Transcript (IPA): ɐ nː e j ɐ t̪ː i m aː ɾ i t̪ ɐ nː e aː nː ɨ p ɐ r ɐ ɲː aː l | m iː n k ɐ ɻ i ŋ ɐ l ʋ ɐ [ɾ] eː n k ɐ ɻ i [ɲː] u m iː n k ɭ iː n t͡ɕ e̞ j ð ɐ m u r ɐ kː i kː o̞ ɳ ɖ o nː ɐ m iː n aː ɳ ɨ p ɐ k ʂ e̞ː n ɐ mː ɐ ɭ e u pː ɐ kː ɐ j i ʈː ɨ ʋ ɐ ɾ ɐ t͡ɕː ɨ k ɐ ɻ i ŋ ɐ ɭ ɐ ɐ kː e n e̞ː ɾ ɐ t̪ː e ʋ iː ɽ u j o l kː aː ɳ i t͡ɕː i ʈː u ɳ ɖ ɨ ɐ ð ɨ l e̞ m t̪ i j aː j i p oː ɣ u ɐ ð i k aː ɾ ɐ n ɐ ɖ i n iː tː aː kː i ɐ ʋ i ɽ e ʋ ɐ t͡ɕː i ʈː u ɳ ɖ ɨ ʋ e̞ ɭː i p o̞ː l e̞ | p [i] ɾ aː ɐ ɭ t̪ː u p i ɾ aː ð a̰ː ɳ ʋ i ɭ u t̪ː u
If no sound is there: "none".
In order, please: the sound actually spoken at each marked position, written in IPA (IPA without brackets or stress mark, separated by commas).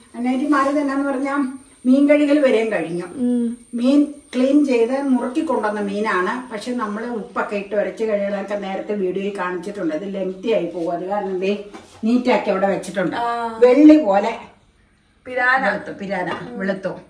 ɾ, ɲː, i